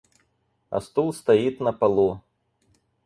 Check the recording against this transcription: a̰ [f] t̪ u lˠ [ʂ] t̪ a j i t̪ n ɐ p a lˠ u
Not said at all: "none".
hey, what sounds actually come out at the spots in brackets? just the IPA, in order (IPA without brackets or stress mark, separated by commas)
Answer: s, s